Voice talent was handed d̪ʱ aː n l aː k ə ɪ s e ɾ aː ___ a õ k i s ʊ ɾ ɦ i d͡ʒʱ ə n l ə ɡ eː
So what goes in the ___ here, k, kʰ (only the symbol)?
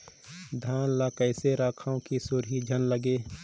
kʰ